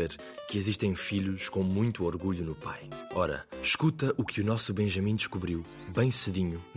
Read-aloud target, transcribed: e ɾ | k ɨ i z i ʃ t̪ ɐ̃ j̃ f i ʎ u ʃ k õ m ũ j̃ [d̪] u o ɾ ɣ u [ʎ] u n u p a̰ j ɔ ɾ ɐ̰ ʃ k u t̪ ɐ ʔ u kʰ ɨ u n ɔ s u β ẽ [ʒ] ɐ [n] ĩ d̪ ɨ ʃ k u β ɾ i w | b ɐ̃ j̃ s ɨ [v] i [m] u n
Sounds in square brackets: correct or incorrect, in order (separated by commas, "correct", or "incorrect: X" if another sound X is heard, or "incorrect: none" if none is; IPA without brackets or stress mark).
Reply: incorrect: t̪, correct, correct, incorrect: m, incorrect: ð, incorrect: ɲ